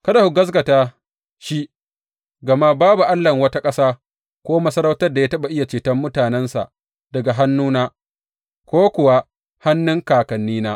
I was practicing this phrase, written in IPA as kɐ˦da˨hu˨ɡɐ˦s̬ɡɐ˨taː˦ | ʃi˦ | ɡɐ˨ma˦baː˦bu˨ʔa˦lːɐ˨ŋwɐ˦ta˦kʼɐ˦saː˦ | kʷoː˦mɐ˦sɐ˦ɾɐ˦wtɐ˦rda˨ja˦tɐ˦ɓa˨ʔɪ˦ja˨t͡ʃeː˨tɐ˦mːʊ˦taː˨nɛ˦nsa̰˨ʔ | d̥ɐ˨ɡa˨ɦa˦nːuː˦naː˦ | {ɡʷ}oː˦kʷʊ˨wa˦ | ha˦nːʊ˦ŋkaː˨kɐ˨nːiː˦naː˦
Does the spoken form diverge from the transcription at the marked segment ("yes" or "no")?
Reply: yes